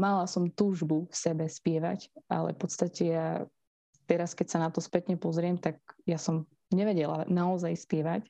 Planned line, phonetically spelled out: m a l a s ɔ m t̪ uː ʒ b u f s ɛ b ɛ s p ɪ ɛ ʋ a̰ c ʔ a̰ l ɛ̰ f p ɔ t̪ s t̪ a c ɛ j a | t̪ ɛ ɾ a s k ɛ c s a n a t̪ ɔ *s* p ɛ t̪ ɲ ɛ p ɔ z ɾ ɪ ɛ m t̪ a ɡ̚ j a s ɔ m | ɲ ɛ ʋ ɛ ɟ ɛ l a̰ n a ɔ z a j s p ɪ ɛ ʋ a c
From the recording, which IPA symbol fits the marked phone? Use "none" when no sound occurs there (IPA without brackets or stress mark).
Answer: s